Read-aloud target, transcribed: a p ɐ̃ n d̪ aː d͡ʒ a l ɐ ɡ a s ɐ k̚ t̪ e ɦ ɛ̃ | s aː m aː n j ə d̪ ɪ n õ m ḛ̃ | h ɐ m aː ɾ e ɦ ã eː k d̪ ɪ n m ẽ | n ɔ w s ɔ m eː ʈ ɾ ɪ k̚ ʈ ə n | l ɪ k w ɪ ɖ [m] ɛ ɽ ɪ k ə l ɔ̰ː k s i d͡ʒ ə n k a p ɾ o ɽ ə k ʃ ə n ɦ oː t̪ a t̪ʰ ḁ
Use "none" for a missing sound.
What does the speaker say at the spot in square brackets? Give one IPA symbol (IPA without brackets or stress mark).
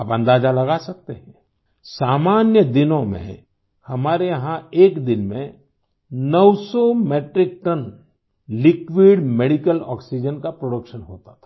m